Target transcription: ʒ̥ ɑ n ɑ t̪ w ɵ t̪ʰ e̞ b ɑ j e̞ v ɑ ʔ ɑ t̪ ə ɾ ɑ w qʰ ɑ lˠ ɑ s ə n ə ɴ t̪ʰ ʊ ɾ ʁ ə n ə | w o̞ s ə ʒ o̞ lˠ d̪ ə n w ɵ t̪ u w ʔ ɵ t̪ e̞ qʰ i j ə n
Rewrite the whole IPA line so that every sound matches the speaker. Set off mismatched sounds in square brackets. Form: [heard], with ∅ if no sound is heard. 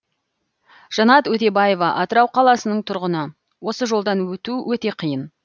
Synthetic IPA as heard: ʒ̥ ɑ n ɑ t̪ w ɵ [t̪] e̞ b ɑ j e̞ v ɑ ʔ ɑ t̪ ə ɾ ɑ w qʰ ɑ lˠ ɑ s ə n ə ɴ t̪ʰ ʊ ɾ ʁ ə n ə | w o̞ s ə ʒ o̞ lˠ d̪ [ɑ] n w ɵ t̪ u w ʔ ɵ t̪ e̞ qʰ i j ə n